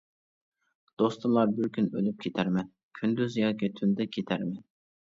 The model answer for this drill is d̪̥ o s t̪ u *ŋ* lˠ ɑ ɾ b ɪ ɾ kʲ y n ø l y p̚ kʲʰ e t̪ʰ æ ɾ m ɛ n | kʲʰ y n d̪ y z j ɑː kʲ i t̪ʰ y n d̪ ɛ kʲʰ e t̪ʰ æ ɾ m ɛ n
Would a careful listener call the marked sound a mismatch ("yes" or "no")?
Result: yes